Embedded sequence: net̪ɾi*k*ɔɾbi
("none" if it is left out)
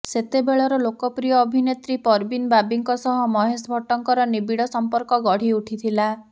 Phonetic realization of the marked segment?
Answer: p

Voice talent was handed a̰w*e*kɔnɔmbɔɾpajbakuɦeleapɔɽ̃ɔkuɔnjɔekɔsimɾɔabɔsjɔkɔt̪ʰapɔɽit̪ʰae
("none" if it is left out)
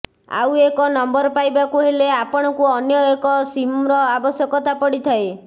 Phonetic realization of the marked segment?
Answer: e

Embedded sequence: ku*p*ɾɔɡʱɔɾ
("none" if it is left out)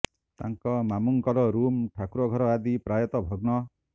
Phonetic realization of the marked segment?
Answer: none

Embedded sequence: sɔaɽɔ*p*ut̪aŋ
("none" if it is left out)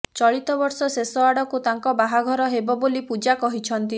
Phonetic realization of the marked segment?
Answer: k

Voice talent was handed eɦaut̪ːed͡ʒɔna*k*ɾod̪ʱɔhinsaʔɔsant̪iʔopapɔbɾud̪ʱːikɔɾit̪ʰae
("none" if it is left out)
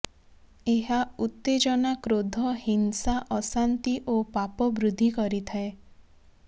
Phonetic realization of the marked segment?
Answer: k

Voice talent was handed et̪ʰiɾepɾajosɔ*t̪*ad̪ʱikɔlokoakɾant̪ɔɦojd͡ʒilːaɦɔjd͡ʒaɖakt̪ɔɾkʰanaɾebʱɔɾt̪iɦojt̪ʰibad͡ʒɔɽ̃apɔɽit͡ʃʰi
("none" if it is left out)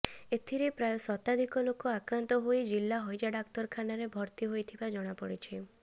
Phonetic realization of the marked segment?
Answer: t̪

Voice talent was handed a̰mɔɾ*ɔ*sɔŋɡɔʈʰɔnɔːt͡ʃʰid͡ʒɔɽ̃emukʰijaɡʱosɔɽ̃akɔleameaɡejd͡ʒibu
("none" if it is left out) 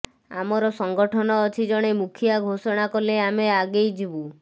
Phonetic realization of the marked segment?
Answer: ɔ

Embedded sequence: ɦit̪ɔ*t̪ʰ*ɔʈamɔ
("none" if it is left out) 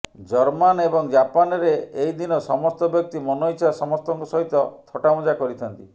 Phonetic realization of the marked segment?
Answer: t̪ʰ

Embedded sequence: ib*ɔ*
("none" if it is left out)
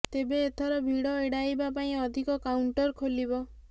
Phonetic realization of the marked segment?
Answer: ɔ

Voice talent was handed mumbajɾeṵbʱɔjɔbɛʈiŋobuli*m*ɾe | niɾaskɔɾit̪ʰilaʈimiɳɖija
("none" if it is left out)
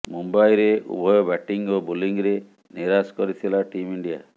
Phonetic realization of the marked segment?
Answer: ŋ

